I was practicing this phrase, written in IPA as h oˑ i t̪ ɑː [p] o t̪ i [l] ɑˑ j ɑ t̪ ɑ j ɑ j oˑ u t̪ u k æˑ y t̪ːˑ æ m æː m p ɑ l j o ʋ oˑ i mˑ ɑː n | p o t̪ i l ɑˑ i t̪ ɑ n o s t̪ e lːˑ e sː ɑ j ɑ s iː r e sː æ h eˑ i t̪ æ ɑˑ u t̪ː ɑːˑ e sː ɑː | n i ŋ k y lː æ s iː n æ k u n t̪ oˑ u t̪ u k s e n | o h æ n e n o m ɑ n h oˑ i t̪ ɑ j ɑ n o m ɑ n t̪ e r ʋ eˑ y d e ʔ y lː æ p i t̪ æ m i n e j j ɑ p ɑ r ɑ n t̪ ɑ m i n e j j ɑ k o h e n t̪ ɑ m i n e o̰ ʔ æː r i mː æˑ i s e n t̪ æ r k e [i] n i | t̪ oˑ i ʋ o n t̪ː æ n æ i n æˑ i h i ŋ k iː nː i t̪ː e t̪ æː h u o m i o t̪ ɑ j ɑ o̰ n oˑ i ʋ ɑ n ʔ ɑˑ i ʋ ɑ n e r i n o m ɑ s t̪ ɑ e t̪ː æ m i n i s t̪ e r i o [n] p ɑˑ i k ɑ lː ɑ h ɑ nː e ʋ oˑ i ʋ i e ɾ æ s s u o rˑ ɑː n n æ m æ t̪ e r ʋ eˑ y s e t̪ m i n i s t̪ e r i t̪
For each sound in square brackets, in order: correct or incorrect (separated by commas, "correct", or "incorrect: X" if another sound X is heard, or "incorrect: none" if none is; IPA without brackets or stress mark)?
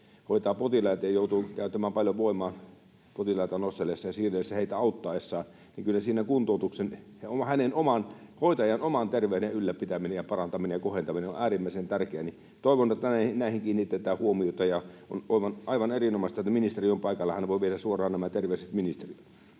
correct, correct, incorrect: æ, incorrect: m